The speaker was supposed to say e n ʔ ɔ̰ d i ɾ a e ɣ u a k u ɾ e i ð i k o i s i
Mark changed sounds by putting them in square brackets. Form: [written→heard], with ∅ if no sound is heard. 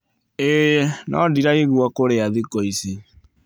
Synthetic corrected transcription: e n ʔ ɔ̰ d i ɾ a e ɣ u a k [u→o] ɾ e [i→a] ð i k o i s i